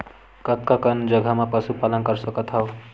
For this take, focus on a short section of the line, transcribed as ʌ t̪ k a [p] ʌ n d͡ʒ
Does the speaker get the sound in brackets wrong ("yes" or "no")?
yes